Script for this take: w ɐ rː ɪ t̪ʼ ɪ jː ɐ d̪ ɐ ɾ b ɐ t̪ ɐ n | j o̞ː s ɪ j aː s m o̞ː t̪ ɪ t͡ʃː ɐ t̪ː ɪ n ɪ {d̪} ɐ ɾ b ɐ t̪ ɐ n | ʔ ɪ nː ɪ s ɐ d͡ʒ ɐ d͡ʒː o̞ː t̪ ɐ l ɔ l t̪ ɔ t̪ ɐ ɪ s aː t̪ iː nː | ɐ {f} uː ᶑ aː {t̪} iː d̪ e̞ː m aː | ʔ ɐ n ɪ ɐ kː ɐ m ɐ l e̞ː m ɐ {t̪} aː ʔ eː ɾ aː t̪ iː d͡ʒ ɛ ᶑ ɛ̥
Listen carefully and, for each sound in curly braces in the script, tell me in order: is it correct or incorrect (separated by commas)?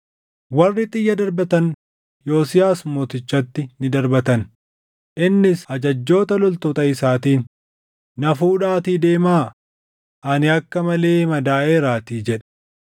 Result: correct, correct, correct, incorrect